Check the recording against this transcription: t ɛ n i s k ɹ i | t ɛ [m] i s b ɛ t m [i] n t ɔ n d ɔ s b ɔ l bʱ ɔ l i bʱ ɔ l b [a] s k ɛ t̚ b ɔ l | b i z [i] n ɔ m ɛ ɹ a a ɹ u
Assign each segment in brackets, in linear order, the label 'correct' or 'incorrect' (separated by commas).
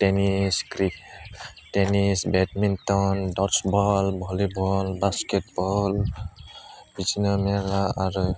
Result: incorrect, correct, correct, correct